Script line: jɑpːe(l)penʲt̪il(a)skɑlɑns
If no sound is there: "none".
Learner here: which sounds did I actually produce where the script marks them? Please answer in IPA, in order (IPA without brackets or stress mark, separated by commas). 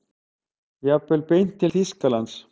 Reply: l, i